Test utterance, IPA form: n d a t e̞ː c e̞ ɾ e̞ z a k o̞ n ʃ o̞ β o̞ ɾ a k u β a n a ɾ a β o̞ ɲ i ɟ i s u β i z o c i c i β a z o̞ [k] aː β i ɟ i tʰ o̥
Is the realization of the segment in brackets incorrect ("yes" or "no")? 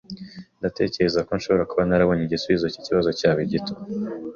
yes